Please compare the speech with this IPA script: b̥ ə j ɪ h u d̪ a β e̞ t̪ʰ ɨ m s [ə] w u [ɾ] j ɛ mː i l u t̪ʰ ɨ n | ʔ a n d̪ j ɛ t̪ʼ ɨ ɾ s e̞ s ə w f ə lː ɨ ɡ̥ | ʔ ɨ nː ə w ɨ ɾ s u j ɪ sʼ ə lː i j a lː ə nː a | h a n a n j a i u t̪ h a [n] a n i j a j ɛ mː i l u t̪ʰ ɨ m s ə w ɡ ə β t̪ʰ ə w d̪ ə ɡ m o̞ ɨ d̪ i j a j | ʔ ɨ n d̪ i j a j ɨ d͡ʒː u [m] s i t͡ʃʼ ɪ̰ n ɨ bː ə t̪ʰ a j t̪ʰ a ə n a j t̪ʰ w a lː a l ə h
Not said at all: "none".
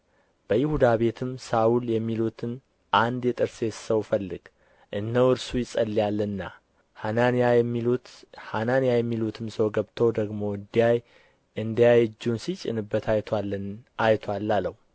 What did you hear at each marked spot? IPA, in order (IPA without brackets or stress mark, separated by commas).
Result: a, l, n, n